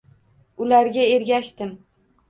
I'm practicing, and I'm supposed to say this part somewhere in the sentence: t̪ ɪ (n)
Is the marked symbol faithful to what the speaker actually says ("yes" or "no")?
no